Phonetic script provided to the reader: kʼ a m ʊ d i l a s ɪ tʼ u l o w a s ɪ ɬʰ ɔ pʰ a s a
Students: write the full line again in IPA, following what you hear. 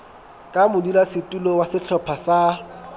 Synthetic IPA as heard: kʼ a m ʊ d i l a s ɪ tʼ u l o w a s ɪ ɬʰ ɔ pʰ a s a